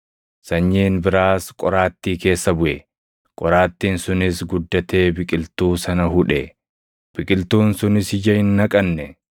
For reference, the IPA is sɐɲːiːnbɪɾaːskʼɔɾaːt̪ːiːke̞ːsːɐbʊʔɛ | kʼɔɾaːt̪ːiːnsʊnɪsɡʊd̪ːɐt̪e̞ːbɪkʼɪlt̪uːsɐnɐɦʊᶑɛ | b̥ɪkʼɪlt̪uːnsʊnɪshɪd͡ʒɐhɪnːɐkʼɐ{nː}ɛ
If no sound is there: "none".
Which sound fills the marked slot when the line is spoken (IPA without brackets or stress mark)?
nː